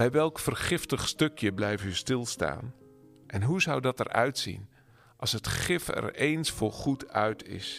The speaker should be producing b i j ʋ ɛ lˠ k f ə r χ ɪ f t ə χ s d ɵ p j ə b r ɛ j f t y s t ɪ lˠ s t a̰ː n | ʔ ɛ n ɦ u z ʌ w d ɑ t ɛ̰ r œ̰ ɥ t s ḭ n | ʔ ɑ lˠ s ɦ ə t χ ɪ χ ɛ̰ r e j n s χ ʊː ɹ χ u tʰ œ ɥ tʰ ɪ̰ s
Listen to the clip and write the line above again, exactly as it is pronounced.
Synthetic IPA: b ɛ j ʋ ɛ lˠ k f ə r χ ɪ f t ə χ s t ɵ k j ə b l ɛ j f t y s t ɪ lˠ s t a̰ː n | ʔ ɛ n ɦ u z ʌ w d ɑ t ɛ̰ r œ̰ ɥ t s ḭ n | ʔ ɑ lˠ s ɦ ə t χ ɪ f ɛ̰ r e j n s f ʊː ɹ χ u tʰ œ ɥ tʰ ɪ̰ s